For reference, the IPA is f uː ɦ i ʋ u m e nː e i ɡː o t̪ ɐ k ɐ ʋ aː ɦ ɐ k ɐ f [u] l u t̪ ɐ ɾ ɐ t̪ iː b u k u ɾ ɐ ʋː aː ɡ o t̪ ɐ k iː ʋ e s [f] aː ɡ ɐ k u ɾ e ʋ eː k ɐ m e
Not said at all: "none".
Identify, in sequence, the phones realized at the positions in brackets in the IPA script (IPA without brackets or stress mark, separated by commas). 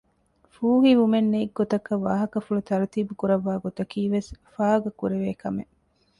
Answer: u, f